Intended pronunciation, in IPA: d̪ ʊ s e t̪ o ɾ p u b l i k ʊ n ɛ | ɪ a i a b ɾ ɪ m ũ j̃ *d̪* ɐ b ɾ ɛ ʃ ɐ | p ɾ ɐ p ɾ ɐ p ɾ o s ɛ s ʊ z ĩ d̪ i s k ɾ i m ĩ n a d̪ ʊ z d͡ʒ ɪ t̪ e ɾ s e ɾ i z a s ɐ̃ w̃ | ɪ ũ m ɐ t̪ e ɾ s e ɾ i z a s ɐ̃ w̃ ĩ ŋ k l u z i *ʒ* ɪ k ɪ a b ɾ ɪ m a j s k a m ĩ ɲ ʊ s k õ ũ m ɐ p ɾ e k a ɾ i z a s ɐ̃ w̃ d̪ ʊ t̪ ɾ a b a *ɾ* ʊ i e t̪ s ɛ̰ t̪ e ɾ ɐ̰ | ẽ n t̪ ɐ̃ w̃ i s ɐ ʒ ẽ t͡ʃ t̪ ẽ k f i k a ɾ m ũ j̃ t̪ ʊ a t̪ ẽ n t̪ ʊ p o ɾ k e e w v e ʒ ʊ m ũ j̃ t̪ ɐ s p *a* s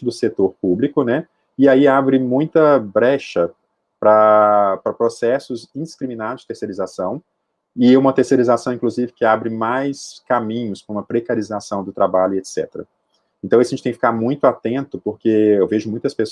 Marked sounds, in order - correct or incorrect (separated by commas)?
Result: incorrect, incorrect, incorrect, incorrect